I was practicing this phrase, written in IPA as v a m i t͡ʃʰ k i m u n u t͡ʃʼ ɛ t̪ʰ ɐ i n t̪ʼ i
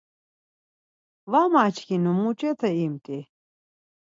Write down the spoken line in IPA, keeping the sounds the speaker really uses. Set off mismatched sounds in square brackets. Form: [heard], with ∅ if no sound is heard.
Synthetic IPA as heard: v a m [a] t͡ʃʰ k i [n] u [m] u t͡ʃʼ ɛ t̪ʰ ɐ i [m] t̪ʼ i